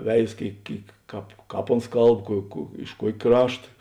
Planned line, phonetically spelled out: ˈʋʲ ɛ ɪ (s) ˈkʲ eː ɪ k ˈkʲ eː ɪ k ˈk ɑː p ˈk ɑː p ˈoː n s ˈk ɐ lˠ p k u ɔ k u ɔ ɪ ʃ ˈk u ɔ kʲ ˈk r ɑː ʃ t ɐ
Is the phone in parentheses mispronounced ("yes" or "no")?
no